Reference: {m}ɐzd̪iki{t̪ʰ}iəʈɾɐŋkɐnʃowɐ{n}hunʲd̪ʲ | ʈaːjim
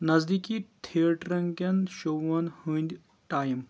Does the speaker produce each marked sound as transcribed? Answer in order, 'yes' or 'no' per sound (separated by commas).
no, yes, yes